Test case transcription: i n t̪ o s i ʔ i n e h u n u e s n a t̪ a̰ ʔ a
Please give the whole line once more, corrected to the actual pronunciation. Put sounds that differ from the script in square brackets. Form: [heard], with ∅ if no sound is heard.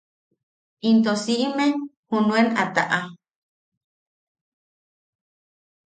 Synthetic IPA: i n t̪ o s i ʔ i [m] e h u n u e [∅] n a t̪ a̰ ʔ a

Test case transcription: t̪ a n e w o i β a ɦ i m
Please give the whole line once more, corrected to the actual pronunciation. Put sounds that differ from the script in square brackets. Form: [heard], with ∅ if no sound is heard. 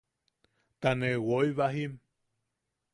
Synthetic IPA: t̪ a n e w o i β a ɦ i m

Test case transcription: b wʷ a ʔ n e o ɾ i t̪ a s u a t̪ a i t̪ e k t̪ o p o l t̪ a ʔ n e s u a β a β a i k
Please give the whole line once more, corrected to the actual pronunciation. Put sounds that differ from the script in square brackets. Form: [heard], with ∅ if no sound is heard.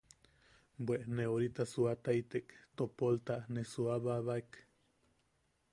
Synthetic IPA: b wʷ [e] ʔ n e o ɾ i t̪ a s u a t̪ a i t̪ e k t̪ o p o l t̪ a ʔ n e s u a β a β a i k

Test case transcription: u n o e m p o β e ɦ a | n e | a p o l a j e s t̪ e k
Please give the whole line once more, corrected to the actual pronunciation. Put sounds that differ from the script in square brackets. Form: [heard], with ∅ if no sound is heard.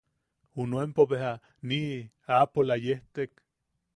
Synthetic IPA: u n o e m p o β e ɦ a | n [i] | a p o l a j e [h] t̪ e k

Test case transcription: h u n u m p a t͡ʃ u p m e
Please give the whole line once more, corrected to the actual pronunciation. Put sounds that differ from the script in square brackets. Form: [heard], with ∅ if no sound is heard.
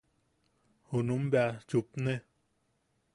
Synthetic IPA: h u n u m [b] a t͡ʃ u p [n] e

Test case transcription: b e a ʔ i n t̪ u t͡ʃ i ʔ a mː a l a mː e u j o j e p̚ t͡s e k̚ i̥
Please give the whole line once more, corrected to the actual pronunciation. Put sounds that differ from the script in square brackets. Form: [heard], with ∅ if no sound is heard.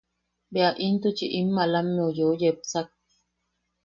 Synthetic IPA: b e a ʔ i n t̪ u t͡ʃ i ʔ [i] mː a l a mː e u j o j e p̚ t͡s [a] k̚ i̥

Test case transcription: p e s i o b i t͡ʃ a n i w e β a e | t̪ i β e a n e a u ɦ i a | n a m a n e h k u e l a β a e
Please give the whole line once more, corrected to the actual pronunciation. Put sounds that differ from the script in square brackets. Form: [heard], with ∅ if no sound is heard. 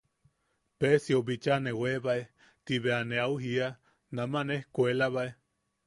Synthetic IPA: p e s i o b i t͡ʃ a n [e] w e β a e | t̪ i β e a n e a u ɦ i a | n a m a n e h k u e l a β a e

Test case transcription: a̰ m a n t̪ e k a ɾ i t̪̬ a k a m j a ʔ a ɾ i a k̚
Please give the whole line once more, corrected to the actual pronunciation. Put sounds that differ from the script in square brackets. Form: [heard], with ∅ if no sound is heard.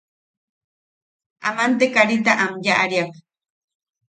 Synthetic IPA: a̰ m a n t̪ e k a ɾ i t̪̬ a [ʔ] a m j a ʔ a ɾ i a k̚

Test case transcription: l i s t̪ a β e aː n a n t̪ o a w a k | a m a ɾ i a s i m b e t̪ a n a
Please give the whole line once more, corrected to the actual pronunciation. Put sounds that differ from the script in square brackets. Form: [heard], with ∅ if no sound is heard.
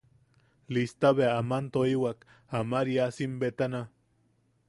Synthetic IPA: l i s t̪ a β e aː [m] a n t̪ o [i] w a k | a m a ɾ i a s i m b e t̪ a n a

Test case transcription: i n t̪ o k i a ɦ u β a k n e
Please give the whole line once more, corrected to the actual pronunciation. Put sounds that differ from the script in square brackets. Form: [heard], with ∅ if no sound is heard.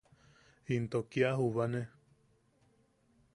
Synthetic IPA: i n t̪ o k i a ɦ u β a [∅] n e

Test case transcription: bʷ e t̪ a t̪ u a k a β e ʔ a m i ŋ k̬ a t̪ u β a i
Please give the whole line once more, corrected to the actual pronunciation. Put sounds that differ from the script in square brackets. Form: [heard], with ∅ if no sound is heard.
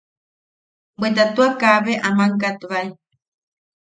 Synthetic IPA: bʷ e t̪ a t̪ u a k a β e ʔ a m [a] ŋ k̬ a t̪ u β a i

